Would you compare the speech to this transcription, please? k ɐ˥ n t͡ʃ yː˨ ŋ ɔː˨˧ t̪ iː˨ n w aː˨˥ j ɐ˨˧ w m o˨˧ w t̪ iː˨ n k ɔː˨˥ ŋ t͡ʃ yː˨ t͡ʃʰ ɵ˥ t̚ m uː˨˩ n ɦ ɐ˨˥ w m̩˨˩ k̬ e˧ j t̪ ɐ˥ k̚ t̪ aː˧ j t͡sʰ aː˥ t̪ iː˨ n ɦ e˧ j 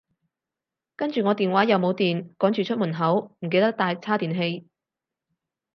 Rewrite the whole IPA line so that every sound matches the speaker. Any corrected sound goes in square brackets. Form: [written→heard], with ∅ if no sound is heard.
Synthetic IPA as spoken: k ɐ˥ n t͡ʃ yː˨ ŋ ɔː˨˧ t̪ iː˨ n w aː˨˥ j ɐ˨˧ w m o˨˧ w t̪ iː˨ n k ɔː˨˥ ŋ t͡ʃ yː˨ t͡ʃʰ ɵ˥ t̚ m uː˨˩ n ɦ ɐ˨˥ w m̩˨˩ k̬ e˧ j t̪ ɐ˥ k̚ t̪ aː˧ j t͡sʰ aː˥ t̪ iː˨ n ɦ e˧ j